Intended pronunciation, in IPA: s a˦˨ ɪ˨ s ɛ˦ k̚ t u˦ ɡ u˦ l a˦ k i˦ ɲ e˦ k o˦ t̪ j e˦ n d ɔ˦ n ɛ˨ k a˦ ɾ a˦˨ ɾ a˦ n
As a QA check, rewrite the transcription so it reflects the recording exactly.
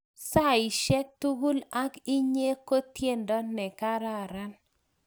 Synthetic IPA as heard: s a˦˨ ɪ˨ ʃ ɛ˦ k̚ t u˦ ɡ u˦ l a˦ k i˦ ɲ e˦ k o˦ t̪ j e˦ n d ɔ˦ n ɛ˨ k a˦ ɾ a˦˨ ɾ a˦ n